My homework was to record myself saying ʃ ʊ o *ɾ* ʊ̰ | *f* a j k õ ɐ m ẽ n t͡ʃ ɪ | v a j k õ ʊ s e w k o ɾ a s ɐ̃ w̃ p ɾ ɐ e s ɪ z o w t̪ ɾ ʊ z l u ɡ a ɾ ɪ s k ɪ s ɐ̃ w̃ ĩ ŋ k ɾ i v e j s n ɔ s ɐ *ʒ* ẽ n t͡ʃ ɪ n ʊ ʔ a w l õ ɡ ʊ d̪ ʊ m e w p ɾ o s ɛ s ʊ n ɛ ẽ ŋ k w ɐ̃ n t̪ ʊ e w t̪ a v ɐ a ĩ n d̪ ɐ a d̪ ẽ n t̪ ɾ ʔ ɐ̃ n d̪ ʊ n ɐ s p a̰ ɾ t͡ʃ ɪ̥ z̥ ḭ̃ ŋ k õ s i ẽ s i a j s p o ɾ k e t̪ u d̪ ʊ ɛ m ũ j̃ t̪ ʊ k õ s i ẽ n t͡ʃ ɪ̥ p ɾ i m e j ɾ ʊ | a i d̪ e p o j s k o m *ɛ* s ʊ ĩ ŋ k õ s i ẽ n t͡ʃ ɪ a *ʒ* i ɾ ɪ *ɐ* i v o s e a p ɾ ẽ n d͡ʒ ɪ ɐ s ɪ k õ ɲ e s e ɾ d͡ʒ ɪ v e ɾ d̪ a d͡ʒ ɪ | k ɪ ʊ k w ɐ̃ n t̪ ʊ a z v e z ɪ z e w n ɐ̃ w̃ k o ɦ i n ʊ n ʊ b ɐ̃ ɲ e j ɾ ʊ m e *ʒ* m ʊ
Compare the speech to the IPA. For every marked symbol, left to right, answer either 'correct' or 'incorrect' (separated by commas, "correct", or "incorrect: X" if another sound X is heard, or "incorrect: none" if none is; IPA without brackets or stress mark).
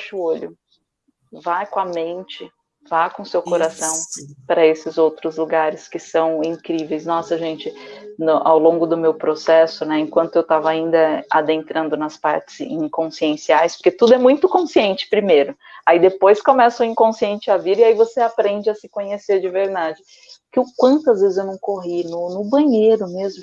incorrect: ʎ, incorrect: v, correct, correct, incorrect: v, incorrect: a, incorrect: z